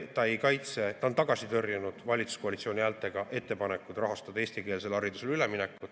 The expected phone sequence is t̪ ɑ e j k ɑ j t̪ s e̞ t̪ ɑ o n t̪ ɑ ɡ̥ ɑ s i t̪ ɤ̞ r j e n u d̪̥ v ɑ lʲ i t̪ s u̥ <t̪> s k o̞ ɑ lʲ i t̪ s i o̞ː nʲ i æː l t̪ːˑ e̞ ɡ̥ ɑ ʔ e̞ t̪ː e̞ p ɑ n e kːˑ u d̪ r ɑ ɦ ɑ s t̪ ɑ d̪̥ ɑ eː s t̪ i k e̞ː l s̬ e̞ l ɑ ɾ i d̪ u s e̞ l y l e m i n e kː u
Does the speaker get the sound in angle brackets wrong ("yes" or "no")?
yes